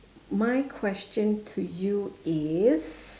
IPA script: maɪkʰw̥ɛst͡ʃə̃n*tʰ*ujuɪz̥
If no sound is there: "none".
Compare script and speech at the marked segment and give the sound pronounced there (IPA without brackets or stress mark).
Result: tʰ